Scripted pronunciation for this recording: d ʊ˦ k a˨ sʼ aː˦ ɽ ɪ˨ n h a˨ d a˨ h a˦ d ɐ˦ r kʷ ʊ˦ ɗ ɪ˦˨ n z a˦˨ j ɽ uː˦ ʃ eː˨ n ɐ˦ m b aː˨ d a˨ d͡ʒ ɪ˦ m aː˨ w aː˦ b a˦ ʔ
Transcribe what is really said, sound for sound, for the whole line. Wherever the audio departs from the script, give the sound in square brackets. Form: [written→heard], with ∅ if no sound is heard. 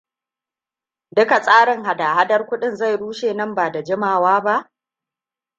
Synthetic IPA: d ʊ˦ k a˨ sʼ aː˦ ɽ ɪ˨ [n→ŋ] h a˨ d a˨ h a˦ d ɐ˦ r kʷ ʊ˦ ɗ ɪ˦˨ n z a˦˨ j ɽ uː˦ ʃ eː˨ n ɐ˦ m b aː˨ d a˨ d͡ʒ ɪ˦ m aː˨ w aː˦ b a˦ ʔ